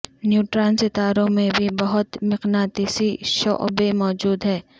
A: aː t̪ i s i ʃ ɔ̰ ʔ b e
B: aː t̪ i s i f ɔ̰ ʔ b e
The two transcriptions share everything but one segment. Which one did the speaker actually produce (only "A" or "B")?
A